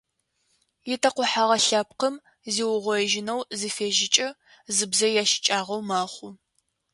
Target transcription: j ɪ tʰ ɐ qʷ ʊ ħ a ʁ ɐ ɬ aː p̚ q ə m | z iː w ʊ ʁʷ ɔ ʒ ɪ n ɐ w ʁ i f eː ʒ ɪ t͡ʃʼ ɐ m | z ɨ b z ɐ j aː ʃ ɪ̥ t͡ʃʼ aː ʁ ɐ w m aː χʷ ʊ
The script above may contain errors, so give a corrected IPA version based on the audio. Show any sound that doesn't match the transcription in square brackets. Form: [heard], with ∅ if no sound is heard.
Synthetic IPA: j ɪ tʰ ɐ qʷ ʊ ħ a ʁ ɐ ɬ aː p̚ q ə m | z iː w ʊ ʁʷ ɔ ʒ ɪ n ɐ w [z] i f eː ʒ ɪ t͡ʃʼ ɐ [∅] | z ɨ b z ɐ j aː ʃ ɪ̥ t͡ʃʼ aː ʁ ɐ w m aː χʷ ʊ

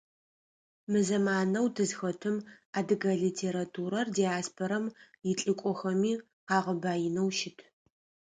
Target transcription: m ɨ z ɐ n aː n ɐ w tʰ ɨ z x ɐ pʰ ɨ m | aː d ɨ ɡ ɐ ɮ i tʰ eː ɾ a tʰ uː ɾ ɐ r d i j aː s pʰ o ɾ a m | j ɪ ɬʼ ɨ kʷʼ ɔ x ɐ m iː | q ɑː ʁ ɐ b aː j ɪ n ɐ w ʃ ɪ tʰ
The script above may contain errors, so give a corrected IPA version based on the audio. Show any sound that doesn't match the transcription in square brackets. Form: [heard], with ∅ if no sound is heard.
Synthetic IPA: m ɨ z ɐ [m] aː n ɐ w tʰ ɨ z x ɐ [tʰ] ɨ m | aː d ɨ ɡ ɐ ɮ i tʰ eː ɾ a tʰ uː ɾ ɐ r d i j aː s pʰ o ɾ [ɐ] m | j ɪ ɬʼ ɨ kʷʼ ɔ x ɐ m iː | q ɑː ʁ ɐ b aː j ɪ n ɐ w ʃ ɪ tʰ

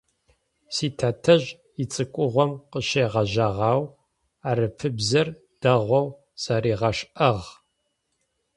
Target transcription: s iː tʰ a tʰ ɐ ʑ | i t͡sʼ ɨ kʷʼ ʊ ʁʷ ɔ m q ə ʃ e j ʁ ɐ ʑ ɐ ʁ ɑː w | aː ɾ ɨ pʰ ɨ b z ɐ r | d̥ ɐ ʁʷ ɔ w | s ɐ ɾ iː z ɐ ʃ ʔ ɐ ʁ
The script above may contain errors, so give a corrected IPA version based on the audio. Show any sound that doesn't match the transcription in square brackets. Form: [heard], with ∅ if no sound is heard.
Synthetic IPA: s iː tʰ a tʰ ɐ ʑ | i t͡sʼ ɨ kʷʼ ʊ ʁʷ ɔ m q ə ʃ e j ʁ ɐ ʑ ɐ ʁ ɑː w | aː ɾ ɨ pʰ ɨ b z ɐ r | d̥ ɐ ʁʷ ɔ w | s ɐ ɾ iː [ʁ] ɐ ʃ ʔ ɐ ʁ

